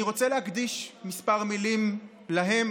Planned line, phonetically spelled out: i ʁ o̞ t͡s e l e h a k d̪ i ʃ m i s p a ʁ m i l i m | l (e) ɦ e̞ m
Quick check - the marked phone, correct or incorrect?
incorrect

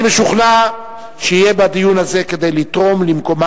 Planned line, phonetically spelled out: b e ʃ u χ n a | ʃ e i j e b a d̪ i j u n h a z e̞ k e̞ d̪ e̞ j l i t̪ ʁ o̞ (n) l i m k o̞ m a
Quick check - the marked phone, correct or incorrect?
incorrect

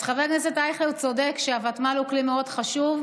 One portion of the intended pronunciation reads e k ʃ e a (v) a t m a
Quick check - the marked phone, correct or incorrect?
correct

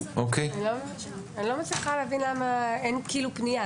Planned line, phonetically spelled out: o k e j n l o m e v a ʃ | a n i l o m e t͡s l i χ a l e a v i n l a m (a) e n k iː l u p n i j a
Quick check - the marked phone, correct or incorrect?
correct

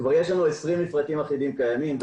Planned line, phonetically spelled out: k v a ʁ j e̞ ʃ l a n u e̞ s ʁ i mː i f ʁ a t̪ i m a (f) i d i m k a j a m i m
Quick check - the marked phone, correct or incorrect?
incorrect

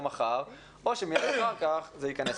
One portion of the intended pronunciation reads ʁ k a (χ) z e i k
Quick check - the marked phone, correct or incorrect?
correct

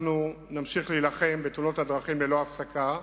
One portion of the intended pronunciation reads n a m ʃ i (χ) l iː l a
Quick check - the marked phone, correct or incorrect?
correct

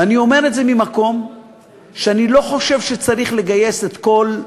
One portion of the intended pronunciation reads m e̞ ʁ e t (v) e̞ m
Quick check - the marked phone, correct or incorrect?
incorrect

